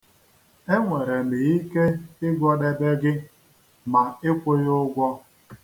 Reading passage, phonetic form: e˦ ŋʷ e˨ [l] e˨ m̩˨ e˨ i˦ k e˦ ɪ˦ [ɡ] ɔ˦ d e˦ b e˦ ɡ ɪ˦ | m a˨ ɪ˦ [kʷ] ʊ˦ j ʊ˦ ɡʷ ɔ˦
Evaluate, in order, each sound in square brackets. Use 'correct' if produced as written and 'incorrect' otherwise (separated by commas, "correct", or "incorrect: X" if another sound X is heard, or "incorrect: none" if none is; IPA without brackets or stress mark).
incorrect: ɾ, correct, correct